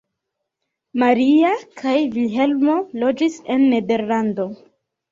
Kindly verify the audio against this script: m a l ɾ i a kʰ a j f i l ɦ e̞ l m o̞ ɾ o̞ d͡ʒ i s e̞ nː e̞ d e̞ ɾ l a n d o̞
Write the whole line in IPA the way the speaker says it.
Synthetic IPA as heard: m a ɾ i a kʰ a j v i l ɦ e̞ l m o̞ l o̞ d͡ʒ i s e̞ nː e̞ d e̞ ɾ l a n d o̞

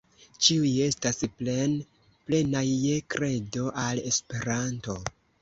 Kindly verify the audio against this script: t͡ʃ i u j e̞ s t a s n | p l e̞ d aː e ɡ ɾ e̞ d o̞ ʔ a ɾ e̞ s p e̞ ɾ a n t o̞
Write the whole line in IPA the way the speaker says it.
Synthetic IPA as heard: t͡ʃ i u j e̞ s t a s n | p l e̞ n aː e k ɾ e̞ d o̞ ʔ a l e̞ s p e̞ ɾ a n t o̞

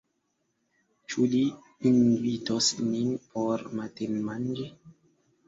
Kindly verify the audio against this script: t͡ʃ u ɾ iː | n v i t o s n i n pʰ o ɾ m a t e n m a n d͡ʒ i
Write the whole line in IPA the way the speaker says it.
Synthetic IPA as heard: t͡ʃ u l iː | n v i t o s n i n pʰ o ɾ m a t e n m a n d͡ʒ i

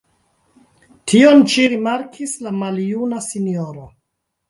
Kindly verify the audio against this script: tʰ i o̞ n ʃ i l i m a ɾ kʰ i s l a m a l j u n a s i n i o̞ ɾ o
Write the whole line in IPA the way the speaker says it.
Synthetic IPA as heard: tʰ i o̞ n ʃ i ɾ i m a ɾ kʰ i s l a m a l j u n a s i n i o̞ ɾ o

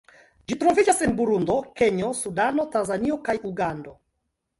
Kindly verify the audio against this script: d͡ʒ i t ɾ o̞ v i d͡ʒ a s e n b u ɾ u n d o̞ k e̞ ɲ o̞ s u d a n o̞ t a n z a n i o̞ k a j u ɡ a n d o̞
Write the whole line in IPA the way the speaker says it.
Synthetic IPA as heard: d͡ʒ i t ɾ o̞ v i d͡ʒ a s e n b u ɾ u n d o̞ k e̞ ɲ o̞ s u d a n o̞ t a n z a n i o̞ k a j u ɡ a n d o̞

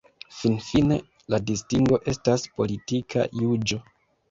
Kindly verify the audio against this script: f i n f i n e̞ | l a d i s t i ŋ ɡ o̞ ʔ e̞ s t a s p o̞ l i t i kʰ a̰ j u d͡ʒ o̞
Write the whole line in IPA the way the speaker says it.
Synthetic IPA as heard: f i n f i n e̞ | l a d i s t i ŋ ɡ o̞ ʔ e̞ s t a s p o̞ l i t i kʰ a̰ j u d͡ʒ o̞

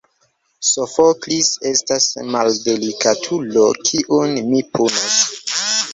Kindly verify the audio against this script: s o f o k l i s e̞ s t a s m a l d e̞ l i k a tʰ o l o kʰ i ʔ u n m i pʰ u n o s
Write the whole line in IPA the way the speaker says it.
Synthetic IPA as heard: s o f o k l i s e̞ s t a s m a l d e̞ l i k a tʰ u l o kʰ i ʔ u n m i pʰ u n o s

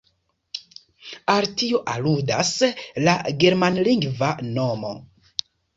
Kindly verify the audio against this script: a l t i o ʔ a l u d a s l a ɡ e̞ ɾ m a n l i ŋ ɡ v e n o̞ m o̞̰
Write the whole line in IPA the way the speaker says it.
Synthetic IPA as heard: a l t i o ʔ a l u d a s l a ɡ e̞ ɾ m a n l i ŋ ɡ v a n o̞ m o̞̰

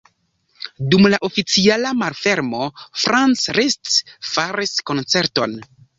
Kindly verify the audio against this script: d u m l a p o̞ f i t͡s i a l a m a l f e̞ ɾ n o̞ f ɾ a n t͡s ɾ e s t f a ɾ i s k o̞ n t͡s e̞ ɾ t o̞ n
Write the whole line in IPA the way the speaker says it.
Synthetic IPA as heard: d u m l a ʔ o̞ f i t͡s i a l a m a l f e̞ ɾ m o̞ f ɾ a n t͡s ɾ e s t f a ɾ i s k o̞ n t͡s e̞ ɾ t o̞ n

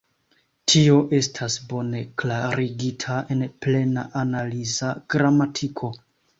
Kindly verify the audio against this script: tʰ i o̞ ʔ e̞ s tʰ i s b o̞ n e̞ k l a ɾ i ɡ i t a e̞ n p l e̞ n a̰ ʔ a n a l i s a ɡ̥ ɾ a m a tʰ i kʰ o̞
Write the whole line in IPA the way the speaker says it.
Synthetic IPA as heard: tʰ i o̞ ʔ e̞ s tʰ a s b o̞ n e̞ k l a ɾ i ɡ i tʰ a e̞ n p l e̞ n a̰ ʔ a n a l i z a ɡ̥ ɾ a m a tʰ i kʰ o̞

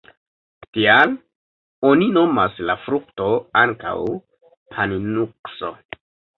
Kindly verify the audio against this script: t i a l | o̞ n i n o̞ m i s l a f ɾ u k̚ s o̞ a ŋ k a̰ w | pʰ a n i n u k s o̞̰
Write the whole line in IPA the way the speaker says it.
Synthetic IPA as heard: t i a l | o̞ n i n o̞ m a s l a f ɾ u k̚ t o̞ a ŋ k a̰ w | pʰ a n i n u k s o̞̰

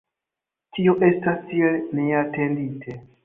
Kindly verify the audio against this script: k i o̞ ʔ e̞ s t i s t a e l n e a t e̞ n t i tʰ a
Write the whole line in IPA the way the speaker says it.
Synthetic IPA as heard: t i o̞ ʔ e̞ s t a s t i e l n e a t e̞ n d i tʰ e

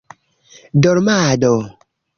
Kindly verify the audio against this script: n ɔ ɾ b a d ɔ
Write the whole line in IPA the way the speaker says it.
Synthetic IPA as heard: d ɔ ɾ m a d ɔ

